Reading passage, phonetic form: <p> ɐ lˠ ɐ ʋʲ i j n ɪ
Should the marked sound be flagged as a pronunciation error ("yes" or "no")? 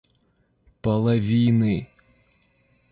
no